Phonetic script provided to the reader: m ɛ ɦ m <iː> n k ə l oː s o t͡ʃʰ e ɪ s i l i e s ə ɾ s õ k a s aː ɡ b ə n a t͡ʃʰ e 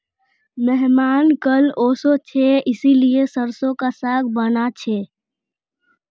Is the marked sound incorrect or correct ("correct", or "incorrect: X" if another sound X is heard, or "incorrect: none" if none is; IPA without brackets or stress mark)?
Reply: incorrect: aː